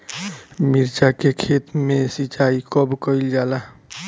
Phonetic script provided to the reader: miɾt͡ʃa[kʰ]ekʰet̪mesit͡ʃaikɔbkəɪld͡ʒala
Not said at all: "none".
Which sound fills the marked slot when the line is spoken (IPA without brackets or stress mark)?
k